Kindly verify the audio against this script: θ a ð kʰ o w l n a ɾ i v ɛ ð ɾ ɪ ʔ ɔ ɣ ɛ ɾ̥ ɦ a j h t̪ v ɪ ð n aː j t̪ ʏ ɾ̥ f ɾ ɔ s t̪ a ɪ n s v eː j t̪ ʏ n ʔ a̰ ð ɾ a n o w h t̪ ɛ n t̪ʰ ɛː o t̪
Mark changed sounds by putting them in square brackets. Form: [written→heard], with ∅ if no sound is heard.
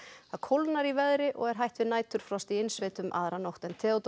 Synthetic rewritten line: θ a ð kʰ o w l n a ɾ i v ɛ ð ɾ ɪ ʔ ɔ ɣ ɛ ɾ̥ ɦ a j h t̪ v ɪ ð n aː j t̪ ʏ ɾ̥ f ɾ ɔ s t̪ [a→i] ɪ n s v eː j t̪ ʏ [n→m] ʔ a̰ ð ɾ a n o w h t̪ ɛ n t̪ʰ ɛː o t̪